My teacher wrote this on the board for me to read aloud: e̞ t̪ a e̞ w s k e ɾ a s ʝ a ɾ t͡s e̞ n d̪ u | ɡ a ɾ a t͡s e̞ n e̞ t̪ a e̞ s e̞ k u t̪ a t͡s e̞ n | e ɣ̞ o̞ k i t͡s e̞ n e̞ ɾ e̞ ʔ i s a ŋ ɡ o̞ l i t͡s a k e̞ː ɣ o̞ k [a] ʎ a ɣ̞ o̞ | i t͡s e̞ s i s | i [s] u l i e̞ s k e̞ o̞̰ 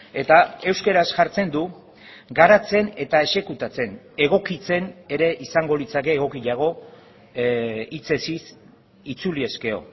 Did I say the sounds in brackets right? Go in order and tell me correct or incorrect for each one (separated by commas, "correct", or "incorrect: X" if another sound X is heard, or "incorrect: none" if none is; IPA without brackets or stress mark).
incorrect: i, incorrect: t͡s